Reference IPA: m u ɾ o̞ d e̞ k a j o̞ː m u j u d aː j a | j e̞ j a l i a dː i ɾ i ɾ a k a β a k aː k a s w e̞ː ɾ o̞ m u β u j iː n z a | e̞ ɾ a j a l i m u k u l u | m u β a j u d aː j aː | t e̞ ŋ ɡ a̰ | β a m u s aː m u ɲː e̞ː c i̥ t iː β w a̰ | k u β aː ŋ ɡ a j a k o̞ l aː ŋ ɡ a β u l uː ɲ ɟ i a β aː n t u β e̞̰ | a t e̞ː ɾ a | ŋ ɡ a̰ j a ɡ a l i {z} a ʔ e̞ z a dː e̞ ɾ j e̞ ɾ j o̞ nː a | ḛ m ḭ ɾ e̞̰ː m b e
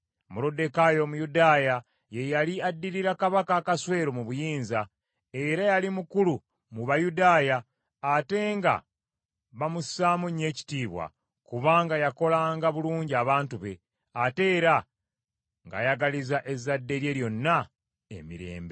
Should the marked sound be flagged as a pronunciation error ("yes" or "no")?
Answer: no